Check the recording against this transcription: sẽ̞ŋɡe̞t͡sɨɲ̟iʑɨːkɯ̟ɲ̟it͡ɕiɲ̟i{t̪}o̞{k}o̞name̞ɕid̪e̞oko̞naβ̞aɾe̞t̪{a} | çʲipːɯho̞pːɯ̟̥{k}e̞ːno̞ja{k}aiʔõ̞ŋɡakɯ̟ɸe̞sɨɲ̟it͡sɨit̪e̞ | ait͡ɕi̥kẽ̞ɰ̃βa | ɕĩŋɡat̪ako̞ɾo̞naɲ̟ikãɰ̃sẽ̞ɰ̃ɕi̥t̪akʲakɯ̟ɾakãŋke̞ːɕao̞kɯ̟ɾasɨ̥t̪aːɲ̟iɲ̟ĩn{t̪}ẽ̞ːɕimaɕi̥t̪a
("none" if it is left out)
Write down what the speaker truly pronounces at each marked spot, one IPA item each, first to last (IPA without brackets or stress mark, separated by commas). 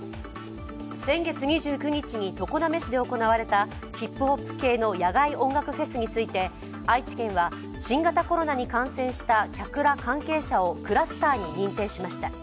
t̪, k, a, k, ɡ, t̪